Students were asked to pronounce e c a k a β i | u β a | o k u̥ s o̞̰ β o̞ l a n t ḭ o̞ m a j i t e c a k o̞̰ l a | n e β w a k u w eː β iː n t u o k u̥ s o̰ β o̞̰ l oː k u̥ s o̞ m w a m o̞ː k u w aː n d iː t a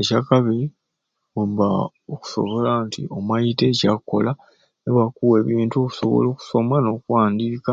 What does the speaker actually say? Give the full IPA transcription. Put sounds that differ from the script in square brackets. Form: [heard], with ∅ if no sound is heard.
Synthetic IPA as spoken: e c a k a β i | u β a | o k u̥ s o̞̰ β o̞ l a n t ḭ o̞ m a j i t e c a k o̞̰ l a | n e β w a k u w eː β iː n t u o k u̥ s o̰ β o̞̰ l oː k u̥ s o̞ m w a [n] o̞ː k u w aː n d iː [k] a